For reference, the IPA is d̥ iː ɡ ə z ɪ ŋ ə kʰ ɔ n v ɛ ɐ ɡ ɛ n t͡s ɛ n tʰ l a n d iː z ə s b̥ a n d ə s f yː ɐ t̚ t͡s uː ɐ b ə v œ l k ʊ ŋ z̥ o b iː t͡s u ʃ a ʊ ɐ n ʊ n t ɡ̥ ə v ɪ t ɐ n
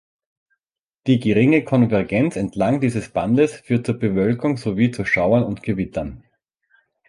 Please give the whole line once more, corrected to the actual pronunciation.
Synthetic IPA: d̥ iː ɡ ə ʁ ɪ ŋ ə kʰ ɔ n v ɛ ɐ ɡ ɛ n t͡s ɛ n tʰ l a ŋ d iː z ə s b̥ a n d ə s f yː ɐ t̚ t͡s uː ɐ b ə v œ l k ʊ ŋ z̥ o v iː t͡s u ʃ a ʊ ɐ n ʊ n t ɡ̥ ə v ɪ t ɐ n